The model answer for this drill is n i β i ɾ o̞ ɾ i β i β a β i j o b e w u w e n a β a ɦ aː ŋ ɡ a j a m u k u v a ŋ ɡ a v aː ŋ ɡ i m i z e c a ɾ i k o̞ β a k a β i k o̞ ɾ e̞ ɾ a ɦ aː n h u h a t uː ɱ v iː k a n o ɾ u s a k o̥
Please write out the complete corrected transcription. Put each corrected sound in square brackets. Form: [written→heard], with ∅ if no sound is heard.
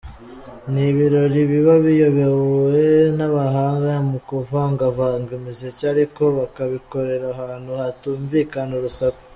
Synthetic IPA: n i β i ɾ o̞ ɾ i β i β a β i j o [b→β] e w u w e n a β a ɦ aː ŋ ɡ a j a m u k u v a ŋ ɡ a v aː ŋ ɡ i m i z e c a ɾ i k o̞ β a k a β i k o̞ ɾ e̞ ɾ a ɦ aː n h u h a t uː ɱ v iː k a n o ɾ u s a k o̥